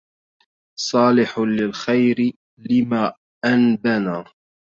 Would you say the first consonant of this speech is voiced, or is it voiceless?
voiceless